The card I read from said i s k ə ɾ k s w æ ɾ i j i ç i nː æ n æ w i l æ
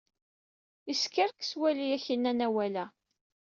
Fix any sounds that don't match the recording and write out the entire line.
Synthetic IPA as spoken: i s k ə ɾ k s w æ l i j æ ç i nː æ n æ w æ l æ